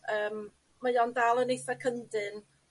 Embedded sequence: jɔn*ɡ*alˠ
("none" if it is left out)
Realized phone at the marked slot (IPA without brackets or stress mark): d